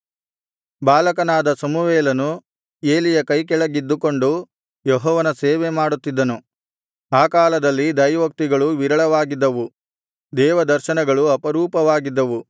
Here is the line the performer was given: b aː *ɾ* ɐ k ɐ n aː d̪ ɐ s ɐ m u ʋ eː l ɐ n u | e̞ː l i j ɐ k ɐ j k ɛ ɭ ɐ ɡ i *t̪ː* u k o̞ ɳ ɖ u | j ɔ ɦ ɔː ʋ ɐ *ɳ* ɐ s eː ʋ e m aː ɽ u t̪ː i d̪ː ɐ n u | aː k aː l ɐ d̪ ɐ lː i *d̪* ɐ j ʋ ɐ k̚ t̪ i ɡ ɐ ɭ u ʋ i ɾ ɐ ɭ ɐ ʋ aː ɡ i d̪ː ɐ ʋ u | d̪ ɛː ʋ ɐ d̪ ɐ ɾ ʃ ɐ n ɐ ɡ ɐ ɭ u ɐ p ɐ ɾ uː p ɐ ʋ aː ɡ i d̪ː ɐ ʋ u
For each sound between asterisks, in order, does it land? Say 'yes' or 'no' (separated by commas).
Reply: no, no, no, yes